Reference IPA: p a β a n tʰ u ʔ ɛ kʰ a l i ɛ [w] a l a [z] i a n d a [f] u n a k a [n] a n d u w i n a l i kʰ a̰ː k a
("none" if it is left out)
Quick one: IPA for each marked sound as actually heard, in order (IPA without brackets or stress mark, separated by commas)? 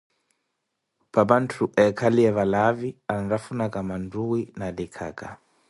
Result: β, v, f, m